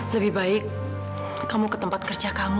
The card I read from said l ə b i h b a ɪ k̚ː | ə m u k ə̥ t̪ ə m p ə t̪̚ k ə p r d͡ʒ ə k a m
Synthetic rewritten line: l ə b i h b a ɪ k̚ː | a m u k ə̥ t̪ ə m p a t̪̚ k ə r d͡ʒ a k a m